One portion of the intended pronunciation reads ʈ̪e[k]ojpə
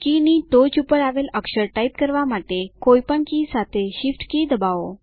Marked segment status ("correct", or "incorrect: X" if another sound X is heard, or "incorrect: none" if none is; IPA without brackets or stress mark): correct